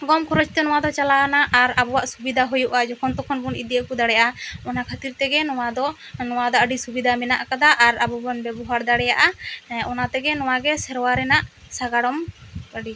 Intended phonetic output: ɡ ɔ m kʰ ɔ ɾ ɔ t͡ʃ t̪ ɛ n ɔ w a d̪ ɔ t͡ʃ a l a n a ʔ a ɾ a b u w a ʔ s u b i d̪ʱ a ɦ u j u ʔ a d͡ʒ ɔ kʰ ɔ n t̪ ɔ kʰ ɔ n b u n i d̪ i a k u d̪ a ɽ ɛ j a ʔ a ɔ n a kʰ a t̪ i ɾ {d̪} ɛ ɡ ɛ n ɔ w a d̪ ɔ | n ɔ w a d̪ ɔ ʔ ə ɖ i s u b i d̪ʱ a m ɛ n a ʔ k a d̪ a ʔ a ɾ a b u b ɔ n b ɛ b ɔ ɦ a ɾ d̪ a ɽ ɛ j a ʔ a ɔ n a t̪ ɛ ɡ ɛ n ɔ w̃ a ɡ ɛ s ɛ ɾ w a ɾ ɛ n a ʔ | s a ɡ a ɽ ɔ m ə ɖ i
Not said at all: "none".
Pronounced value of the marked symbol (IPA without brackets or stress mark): t̪